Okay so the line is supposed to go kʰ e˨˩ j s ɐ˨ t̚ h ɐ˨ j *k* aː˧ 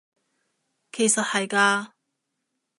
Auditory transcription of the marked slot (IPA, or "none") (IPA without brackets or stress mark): k